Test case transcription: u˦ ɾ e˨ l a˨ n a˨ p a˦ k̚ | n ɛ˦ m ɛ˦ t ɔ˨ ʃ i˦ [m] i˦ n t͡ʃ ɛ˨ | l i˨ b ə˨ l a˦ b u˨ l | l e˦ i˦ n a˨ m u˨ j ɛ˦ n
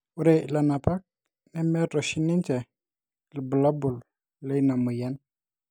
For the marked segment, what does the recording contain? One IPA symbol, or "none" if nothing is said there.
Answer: n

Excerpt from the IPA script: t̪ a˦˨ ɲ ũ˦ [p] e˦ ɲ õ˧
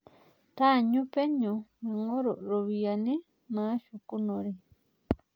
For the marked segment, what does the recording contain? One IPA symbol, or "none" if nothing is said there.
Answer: p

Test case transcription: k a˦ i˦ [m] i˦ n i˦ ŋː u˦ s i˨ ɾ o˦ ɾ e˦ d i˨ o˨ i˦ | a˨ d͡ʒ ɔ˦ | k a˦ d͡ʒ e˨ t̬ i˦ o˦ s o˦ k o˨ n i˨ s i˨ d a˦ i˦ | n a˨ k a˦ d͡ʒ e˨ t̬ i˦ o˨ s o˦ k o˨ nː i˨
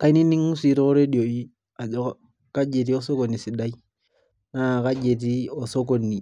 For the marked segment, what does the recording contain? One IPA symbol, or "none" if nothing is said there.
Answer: n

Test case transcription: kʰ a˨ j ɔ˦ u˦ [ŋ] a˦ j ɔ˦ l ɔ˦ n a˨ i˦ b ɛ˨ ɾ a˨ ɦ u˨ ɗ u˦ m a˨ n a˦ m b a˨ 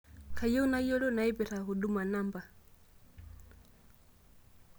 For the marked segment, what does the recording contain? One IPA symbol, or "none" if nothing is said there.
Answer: n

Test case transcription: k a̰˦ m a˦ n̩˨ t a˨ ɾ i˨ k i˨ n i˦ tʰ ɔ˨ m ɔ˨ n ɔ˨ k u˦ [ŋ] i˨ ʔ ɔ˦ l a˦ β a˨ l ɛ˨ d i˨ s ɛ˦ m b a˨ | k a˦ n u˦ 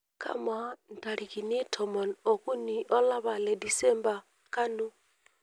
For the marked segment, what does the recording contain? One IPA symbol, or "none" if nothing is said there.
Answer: n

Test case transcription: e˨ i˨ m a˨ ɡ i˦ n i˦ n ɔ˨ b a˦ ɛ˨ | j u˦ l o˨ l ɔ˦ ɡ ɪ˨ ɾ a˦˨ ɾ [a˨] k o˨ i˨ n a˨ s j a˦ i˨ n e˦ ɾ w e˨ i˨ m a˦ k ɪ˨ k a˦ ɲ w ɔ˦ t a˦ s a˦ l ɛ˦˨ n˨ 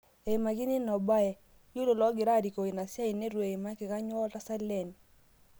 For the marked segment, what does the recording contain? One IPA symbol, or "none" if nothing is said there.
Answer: i˨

